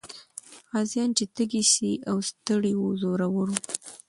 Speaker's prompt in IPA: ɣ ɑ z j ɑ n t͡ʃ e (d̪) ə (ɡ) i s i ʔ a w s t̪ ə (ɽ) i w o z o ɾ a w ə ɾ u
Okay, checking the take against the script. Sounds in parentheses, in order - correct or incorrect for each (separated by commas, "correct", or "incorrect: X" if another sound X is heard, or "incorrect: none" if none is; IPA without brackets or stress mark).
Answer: incorrect: t̪, correct, correct